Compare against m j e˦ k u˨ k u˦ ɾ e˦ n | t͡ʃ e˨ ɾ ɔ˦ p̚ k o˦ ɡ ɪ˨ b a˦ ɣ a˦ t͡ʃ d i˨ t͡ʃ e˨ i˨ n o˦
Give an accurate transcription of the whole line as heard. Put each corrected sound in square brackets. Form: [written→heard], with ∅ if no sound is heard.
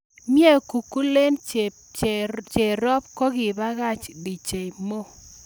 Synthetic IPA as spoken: m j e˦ k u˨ k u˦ [ɾ→l] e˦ n | t͡ʃ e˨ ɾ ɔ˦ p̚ k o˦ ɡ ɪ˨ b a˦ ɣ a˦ t͡ʃ d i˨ t͡ʃ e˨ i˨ [n→m] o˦

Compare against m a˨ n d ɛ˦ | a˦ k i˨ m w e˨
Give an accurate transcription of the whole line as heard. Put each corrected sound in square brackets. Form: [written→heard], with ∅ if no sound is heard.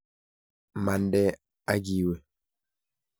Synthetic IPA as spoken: m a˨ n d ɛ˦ | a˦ [k→ɡ] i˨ [m→∅] w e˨

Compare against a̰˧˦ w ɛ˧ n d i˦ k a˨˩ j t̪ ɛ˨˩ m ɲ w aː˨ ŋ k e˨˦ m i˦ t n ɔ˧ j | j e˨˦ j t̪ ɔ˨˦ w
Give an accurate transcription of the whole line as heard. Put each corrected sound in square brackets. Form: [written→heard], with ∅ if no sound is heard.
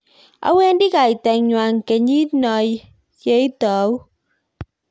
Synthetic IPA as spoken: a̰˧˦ w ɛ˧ n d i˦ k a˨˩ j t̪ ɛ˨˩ [m→ŋ] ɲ w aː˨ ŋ k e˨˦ [m→ɲ] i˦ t n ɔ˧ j | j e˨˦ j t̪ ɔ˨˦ w

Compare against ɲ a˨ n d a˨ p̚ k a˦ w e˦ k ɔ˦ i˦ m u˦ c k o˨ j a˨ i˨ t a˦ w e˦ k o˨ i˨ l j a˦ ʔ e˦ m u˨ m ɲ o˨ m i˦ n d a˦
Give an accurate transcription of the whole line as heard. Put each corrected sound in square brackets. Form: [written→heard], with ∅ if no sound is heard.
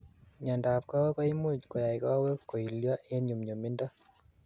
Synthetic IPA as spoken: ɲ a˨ n d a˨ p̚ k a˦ w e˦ k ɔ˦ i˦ m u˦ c k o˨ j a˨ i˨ [t→k] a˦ w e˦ k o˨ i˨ l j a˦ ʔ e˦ [m→ɲ] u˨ m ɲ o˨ m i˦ n d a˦

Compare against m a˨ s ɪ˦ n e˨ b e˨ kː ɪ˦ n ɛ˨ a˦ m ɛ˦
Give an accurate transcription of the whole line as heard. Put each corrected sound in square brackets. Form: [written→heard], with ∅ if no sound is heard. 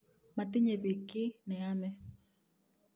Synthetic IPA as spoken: m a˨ [s→t] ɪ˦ [n→ɲ] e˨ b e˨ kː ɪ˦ n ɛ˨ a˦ m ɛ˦

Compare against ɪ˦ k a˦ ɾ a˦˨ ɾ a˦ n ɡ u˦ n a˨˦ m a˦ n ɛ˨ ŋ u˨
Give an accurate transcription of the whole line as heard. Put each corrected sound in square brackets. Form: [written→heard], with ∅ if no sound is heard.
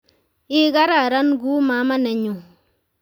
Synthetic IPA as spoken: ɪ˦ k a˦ ɾ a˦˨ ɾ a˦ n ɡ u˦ [n→m] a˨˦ m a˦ n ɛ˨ [ŋ→ɲ] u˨

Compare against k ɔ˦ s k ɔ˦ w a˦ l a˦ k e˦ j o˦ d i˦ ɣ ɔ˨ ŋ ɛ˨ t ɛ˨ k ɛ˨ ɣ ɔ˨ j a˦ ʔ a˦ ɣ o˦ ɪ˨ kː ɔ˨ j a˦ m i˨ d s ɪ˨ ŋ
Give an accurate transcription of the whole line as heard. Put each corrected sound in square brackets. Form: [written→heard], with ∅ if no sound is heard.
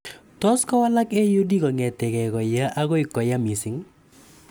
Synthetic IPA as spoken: [k→t] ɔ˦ s k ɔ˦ w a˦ l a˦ k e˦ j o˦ d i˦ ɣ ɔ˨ ŋ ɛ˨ t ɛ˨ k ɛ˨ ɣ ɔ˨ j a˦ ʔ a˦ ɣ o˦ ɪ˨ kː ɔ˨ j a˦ m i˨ [d→∅] s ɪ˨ ŋ

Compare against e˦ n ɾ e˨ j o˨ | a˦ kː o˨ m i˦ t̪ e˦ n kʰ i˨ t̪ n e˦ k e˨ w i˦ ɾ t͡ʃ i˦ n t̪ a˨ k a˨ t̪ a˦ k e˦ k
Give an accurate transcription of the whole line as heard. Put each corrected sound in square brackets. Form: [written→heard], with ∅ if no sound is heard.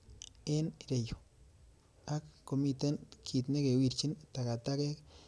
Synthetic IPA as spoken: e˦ n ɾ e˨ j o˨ | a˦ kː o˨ m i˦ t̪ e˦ n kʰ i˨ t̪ n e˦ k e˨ w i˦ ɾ t͡ʃ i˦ n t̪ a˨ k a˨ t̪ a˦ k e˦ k

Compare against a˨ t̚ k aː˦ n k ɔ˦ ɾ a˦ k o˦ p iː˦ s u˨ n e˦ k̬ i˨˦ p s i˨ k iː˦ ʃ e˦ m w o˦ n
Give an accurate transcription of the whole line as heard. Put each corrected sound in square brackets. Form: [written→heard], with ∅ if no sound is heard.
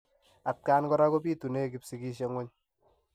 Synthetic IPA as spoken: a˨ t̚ k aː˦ n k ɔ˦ ɾ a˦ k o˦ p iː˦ [s→t] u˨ n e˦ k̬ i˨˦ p s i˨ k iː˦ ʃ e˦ [m→ŋ] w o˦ [n→ɲ]

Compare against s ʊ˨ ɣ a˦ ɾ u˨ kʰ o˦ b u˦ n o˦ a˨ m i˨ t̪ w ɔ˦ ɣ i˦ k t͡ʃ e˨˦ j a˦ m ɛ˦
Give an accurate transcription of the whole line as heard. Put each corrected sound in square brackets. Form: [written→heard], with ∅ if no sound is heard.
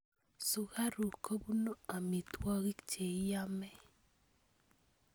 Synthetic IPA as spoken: s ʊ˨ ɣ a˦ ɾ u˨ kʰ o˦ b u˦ n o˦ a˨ m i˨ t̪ w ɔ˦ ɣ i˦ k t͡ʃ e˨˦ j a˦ m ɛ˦

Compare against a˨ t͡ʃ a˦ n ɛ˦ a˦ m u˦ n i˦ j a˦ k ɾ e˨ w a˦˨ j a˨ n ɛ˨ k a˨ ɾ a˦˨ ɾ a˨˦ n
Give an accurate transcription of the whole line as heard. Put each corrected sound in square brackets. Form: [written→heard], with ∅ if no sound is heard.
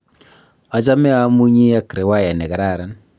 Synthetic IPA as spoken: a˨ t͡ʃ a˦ [n→m] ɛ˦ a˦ m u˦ [n→ɲ] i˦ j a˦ k ɾ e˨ w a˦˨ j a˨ n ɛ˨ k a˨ ɾ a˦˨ ɾ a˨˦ n

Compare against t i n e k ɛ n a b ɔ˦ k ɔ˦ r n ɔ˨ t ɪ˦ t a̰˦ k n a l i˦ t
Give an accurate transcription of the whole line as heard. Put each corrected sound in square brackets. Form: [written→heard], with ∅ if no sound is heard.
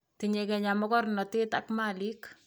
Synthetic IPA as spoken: t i [n→ɲ] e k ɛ [n→ɲ] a [b→m] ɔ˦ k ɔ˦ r n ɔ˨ t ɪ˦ t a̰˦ k [n→m] a l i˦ [t→k]

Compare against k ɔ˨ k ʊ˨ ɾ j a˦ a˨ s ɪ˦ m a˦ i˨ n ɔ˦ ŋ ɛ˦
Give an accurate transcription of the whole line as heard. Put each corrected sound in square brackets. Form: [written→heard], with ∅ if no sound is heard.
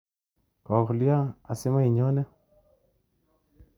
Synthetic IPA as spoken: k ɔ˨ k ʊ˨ [ɾ→l] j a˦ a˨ s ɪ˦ m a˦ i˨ [n→ɲ] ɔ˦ [ŋ→n] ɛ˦

